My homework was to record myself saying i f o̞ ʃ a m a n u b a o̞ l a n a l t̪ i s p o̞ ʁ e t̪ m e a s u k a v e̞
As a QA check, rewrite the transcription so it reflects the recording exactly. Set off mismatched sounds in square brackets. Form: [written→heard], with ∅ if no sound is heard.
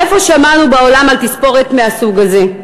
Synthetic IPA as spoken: [i→e] f o̞ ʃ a m a n u b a o̞ l a [n→m] a l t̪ i s p o̞ ʁ e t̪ m e a s u [k→ɡ] a [v→z] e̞